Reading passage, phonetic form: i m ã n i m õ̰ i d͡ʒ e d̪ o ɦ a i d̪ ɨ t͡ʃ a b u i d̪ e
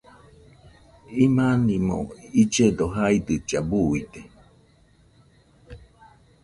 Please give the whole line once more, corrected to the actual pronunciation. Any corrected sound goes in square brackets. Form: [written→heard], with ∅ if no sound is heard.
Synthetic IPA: i m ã n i m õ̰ i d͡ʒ e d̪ o ɦ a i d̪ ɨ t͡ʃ a b u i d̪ e

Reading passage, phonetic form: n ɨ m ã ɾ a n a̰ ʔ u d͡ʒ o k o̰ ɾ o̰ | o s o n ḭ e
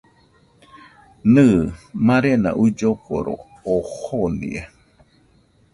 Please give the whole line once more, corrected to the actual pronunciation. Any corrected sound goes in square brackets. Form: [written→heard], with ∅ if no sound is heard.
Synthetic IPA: n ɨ m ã ɾ [a→e] n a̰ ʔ u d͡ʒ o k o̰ ɾ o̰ | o [s→h] o n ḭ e

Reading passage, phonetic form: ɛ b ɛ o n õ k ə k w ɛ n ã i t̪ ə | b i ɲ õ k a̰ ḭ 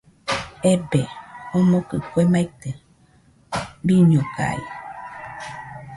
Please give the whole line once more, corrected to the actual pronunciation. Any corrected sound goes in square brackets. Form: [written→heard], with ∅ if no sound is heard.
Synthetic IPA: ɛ b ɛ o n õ k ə k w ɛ [n→m] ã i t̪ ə | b i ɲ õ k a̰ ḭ

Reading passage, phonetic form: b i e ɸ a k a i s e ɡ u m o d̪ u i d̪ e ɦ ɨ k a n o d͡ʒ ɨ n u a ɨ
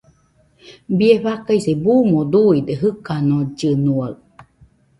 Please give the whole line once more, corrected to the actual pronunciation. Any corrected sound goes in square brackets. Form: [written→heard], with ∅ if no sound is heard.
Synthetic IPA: b i e ɸ a k a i s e [ɡ→b] u m o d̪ u i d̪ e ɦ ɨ k a n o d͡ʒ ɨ n u a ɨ

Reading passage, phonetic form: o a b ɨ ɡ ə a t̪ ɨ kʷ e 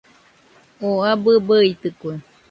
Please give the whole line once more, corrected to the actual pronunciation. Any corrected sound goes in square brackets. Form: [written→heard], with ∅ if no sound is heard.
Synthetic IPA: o a b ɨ [ɡ→b] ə [a→i] t̪ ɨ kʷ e

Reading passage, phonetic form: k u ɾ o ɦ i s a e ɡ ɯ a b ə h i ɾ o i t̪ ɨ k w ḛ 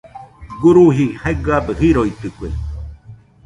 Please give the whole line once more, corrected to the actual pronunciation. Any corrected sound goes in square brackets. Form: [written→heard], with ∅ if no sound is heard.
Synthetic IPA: [k→ɡ] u ɾ [o→u] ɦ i [s→h] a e ɡ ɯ a b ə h i ɾ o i t̪ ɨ k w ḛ

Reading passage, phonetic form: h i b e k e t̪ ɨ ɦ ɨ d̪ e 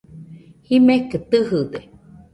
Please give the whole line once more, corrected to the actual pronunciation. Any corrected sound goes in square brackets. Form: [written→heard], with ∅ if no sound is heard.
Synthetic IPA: h i [b→m] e k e t̪ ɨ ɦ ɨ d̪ e

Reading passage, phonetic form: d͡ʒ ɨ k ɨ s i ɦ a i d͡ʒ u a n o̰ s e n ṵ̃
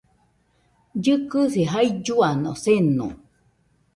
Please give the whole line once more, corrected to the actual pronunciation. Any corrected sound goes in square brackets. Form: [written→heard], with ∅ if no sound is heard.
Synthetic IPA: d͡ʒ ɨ k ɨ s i ɦ a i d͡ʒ u a n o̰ s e n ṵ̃

